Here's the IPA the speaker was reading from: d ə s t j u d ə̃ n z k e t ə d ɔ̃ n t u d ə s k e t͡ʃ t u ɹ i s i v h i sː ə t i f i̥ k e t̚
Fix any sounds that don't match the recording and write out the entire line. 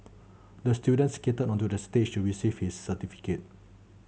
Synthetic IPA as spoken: d ə s t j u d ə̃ n s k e t ə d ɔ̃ n t u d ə s t e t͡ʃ t u ɹ i s i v h i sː ə t i f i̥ k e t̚